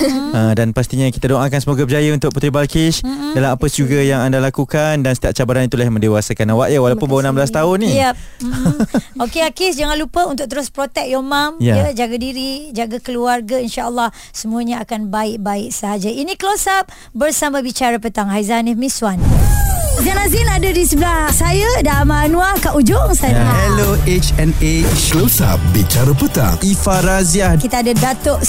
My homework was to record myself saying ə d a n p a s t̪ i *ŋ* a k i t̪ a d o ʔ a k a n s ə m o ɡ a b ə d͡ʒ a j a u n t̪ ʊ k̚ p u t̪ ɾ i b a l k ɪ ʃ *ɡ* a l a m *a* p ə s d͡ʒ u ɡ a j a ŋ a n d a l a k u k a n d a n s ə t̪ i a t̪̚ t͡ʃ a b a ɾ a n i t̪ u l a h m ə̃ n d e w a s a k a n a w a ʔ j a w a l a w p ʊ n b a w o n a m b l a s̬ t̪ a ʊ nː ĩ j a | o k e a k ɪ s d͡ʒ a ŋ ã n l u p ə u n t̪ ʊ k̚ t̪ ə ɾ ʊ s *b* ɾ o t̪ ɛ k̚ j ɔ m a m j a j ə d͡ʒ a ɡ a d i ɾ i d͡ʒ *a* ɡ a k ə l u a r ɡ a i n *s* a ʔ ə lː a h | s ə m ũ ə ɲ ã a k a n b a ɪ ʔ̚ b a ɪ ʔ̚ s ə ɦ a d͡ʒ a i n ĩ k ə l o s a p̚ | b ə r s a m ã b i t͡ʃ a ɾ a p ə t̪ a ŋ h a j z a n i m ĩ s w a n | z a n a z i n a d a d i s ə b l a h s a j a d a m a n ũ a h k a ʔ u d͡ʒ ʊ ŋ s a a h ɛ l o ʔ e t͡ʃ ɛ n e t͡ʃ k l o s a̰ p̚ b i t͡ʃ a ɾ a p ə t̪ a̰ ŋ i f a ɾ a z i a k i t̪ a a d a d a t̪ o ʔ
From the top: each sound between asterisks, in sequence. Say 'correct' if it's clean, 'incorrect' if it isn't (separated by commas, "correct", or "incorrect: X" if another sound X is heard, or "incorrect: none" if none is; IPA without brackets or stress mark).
incorrect: ɲ, incorrect: d, correct, incorrect: p, correct, incorrect: ʃ